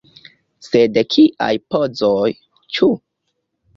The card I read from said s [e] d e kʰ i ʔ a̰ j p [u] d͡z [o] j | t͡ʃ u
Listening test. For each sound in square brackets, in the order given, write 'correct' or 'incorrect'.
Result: correct, incorrect: o, correct

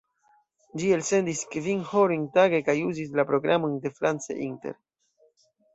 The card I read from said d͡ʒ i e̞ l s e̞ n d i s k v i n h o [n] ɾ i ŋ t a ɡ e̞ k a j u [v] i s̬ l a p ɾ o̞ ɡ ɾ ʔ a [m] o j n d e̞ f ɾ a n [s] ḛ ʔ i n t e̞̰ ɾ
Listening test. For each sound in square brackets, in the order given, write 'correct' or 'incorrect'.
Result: incorrect: none, incorrect: z, correct, incorrect: t͡s

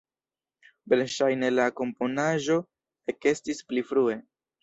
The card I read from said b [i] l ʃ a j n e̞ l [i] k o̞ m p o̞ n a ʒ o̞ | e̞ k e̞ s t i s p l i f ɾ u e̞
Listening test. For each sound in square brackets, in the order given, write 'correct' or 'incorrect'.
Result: incorrect: e, incorrect: a

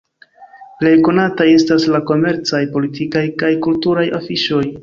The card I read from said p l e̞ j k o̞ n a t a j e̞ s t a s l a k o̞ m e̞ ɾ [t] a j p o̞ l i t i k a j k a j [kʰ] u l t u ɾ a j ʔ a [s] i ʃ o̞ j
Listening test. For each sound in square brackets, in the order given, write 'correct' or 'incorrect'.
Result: incorrect: t͡s, incorrect: k, incorrect: f

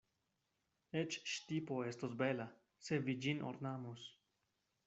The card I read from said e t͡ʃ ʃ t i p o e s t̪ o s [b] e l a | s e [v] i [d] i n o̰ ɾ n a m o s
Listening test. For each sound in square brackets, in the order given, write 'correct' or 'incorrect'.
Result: correct, correct, incorrect: d͡ʒ

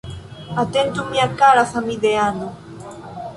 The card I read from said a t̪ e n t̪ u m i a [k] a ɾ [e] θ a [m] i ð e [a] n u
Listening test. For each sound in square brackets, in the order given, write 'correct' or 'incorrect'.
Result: correct, incorrect: a, correct, correct

